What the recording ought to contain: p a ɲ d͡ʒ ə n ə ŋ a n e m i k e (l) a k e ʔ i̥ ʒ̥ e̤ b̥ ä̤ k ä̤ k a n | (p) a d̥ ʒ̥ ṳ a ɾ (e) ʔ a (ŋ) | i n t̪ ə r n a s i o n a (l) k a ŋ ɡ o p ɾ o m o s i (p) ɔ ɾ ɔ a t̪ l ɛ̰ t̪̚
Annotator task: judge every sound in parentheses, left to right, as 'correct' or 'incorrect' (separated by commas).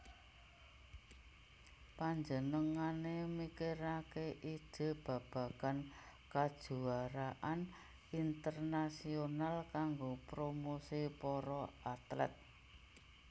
incorrect, incorrect, incorrect, incorrect, correct, correct